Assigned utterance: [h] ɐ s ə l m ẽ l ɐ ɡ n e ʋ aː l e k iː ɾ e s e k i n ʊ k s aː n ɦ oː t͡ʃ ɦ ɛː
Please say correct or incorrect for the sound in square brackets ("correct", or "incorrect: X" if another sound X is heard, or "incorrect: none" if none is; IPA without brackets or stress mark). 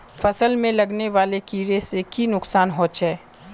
incorrect: f